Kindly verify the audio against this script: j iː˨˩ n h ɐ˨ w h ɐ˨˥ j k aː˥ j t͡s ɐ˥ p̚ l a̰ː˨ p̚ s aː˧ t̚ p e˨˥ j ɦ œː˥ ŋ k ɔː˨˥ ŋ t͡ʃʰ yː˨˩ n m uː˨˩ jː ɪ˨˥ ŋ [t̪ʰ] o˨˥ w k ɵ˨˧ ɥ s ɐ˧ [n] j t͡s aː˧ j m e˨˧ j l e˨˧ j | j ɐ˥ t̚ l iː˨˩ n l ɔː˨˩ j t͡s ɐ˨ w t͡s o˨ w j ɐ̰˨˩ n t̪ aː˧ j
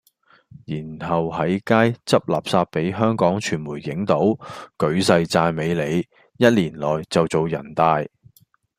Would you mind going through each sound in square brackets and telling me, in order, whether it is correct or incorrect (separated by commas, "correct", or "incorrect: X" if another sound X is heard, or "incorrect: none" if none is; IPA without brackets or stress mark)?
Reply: incorrect: t̪, incorrect: none